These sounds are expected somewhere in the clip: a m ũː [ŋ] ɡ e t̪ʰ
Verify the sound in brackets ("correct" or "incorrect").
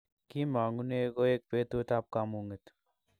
correct